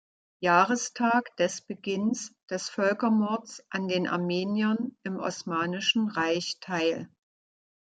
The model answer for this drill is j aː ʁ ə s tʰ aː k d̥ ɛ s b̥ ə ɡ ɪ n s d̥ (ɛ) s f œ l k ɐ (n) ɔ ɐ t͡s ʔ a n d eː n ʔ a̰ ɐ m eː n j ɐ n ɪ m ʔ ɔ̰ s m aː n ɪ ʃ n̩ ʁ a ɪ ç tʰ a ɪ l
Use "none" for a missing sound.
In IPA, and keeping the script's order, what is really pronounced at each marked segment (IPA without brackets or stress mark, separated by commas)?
ɛ, m